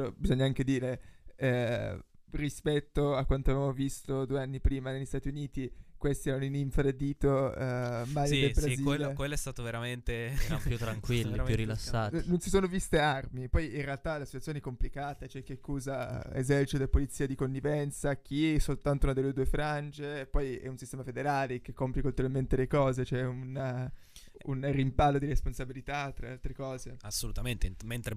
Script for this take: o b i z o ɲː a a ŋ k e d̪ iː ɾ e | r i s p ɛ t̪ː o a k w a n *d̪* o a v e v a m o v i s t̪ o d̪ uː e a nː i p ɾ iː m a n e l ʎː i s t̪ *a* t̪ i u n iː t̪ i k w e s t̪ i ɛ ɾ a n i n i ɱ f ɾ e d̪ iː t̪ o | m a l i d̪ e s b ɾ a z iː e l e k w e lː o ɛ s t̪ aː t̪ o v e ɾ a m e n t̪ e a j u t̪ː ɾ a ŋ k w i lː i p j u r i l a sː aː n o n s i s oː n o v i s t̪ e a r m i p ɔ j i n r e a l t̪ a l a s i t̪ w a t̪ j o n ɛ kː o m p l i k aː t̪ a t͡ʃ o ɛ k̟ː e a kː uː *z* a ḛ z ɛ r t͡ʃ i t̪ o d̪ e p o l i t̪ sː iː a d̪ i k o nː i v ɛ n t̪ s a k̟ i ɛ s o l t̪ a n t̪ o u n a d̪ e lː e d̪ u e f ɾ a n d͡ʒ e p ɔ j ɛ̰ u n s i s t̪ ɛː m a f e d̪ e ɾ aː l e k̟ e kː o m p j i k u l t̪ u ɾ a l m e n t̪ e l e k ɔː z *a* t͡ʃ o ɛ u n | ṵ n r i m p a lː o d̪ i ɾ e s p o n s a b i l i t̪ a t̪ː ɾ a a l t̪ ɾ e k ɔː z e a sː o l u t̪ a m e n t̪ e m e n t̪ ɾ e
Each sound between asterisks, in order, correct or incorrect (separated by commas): incorrect, correct, correct, incorrect